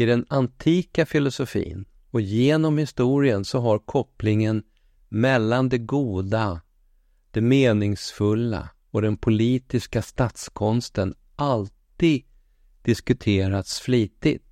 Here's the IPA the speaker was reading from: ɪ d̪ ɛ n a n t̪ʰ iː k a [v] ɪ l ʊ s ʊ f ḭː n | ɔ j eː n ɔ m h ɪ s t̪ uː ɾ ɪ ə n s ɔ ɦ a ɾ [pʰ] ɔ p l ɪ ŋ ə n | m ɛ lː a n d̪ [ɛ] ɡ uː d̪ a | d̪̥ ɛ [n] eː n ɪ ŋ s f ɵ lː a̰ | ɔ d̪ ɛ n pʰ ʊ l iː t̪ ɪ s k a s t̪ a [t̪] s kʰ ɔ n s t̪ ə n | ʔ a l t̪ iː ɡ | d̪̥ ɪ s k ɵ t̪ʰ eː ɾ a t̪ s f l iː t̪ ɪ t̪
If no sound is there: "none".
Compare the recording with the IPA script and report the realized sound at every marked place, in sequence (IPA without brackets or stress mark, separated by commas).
f, kʰ, ɛ, m, t̪